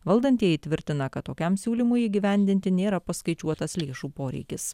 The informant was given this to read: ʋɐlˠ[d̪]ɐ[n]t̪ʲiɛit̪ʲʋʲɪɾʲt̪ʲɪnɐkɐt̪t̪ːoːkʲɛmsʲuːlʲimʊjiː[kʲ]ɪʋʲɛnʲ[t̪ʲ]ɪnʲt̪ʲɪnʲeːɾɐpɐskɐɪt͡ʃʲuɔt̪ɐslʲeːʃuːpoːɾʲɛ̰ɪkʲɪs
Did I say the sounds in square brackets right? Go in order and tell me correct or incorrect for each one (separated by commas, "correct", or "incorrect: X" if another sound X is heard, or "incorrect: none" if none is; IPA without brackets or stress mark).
correct, correct, incorrect: ɡʲ, incorrect: d̪ʲ